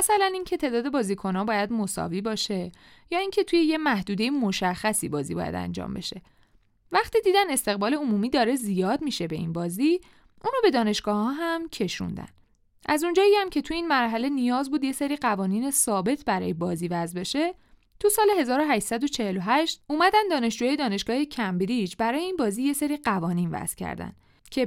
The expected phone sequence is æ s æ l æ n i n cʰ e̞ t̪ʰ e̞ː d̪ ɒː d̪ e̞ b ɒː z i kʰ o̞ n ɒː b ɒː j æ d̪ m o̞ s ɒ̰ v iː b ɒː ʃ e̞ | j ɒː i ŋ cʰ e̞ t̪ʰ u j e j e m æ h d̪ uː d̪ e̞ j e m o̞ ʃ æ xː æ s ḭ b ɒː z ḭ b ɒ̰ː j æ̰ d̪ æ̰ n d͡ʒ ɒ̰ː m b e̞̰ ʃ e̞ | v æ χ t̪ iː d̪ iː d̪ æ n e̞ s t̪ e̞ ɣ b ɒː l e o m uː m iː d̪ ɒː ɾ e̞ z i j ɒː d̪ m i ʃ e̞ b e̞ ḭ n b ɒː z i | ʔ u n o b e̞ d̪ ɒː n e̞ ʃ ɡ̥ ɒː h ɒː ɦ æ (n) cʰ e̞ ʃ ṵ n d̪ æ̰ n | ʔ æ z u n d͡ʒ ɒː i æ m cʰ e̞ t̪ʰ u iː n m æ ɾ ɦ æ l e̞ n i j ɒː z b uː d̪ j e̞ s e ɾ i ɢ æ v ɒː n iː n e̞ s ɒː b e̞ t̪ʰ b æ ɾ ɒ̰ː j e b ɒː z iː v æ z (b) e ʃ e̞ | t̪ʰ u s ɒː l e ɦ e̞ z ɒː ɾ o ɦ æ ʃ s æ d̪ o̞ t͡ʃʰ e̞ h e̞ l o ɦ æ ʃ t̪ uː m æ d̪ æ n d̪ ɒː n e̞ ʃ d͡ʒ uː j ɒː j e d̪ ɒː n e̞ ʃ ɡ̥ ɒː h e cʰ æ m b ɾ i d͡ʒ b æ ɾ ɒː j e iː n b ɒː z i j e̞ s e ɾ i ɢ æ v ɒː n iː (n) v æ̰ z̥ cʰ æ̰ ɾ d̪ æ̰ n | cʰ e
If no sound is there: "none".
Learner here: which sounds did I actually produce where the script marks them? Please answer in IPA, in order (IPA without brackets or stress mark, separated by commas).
m, b, n